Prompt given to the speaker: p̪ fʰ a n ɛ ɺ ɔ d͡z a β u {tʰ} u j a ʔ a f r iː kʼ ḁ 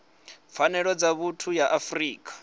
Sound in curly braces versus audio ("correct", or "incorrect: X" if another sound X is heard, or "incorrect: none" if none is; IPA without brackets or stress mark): correct